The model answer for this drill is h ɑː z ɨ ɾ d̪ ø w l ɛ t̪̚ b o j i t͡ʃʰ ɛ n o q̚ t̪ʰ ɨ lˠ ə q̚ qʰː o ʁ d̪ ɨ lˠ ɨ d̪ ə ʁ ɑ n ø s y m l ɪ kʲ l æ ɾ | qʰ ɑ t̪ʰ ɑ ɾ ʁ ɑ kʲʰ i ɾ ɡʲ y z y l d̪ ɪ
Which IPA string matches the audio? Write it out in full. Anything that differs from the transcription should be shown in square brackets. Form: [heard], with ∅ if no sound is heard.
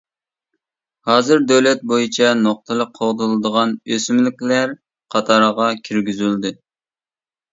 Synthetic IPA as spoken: h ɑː z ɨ ɾ d̪ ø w l ɛ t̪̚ b o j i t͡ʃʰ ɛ n o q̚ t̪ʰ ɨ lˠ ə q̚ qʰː o ʁ d̪ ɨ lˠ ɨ d̪ ə ʁ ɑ n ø s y m l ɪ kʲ l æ ɾ | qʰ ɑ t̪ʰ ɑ ɾ ʁ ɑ kʲʰ i ɾ ɡʲ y z y l d̪ ɪ

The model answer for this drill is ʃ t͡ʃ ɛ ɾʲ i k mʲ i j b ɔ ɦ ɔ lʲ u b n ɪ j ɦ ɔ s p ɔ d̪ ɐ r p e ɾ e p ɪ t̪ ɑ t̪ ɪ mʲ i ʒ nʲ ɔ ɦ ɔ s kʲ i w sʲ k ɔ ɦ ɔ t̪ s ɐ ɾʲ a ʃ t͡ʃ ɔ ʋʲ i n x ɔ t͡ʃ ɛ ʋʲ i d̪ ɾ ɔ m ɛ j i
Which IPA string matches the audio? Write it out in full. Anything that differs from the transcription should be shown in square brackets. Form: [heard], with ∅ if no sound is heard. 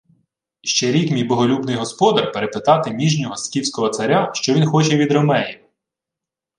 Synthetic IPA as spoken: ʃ t͡ʃ ɛ ɾʲ i k mʲ i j b ɔ ɦ ɔ lʲ u b n ɪ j ɦ ɔ s p ɔ d̪ ɐ r p e ɾ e p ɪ t̪ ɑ t̪ ɪ mʲ i ʒ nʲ ɔ ɦ ɔ s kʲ i w sʲ k ɔ ɦ ɔ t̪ s ɐ ɾʲ a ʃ t͡ʃ ɔ ʋʲ i n x ɔ t͡ʃ ɛ ʋʲ i d̪ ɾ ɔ m ɛ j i

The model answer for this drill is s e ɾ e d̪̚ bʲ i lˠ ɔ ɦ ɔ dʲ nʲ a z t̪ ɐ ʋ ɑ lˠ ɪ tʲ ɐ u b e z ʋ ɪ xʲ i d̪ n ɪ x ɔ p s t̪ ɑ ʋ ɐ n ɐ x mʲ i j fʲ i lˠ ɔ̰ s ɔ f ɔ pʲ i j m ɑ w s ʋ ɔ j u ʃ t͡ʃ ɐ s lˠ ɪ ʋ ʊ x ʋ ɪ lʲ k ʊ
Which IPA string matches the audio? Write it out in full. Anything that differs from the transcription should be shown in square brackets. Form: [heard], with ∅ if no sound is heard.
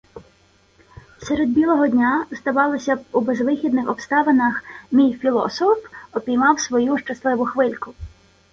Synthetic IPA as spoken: s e ɾ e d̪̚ bʲ i lˠ ɔ ɦ ɔ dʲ nʲ a z [d̪] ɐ ʋ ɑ lˠ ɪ [sʲ] ɐ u b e z ʋ ɪ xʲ i d̪ n ɪ x ɔ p s t̪ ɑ ʋ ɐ n ɐ x mʲ i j fʲ i lˠ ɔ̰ s ɔ f ɔ pʲ i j m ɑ w s ʋ ɔ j u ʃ t͡ʃ ɐ s lˠ ɪ ʋ ʊ x ʋ ɪ lʲ k ʊ

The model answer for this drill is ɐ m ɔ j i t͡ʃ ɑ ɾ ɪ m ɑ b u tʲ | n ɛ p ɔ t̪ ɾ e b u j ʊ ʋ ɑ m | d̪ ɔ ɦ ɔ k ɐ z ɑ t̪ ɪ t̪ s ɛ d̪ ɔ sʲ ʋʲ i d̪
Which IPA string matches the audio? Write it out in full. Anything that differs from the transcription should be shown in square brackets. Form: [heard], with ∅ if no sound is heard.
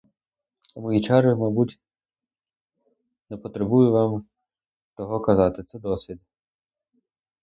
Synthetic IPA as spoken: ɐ m ɔ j i t͡ʃ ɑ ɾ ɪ m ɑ b u tʲ | n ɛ p ɔ t̪ ɾ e b u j ʊ ʋ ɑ m | [t̪] ɔ ɦ ɔ k ɐ z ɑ t̪ ɪ t̪ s ɛ d̪ ɔ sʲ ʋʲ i d̪

